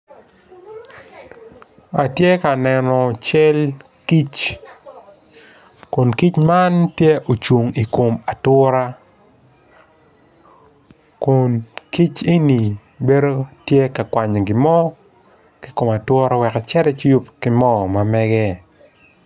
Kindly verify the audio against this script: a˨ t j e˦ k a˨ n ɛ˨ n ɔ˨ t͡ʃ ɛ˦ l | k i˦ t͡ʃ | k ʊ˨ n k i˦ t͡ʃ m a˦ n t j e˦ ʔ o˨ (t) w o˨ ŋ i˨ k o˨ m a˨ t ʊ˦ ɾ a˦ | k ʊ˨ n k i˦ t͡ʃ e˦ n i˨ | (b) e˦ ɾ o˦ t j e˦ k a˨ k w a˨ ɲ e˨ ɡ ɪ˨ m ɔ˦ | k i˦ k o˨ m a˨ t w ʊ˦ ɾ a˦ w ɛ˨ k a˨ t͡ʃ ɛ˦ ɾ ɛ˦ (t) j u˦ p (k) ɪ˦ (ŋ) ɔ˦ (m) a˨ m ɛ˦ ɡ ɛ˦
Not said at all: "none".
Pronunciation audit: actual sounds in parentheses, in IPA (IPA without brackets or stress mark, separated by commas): t͡ʃ, b, t͡ʃ, k, m, m